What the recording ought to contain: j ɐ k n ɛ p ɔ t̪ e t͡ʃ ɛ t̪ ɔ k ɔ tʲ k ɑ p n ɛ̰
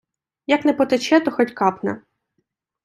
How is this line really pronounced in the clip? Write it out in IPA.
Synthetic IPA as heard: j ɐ k n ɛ p ɔ t̪ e t͡ʃ ɛ t̪ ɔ x ɔ tʲ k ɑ p n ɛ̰